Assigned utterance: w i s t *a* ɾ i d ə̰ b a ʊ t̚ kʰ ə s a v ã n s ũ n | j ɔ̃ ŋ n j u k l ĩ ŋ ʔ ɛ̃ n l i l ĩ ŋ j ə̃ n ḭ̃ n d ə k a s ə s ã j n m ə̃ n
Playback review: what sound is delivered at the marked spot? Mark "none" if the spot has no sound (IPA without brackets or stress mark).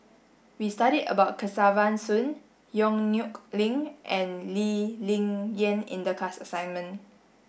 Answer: a